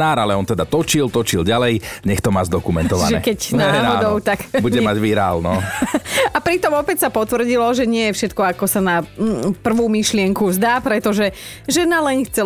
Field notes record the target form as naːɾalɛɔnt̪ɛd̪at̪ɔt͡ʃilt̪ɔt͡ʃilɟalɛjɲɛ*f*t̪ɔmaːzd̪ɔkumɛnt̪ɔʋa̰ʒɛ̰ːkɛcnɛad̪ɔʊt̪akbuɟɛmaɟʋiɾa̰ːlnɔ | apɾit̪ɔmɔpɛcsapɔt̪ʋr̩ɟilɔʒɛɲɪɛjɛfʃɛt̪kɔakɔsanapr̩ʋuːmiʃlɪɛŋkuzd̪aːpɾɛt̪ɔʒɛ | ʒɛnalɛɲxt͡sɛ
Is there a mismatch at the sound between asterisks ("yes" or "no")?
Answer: yes